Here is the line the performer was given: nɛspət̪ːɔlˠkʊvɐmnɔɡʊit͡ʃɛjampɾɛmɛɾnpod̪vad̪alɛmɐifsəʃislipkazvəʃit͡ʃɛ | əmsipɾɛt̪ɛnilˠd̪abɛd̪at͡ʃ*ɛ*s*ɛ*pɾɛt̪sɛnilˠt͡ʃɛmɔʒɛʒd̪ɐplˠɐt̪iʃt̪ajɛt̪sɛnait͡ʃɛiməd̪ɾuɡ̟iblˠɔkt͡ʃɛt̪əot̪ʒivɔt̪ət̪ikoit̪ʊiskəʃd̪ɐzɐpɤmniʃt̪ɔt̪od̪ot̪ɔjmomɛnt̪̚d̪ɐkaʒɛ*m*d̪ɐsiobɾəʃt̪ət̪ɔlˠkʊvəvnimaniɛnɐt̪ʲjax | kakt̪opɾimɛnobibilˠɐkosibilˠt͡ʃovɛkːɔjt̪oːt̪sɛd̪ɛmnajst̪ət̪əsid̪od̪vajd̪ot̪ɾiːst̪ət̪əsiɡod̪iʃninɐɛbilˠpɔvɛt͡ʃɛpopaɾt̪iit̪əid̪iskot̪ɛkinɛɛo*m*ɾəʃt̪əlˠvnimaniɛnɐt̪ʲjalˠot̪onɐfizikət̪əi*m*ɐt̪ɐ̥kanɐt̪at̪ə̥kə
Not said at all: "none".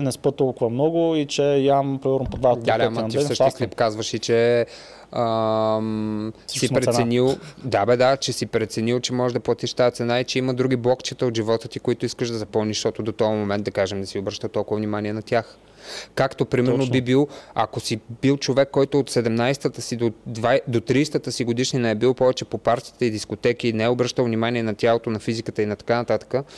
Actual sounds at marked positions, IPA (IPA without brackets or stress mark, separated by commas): ɛ, i, m, b, n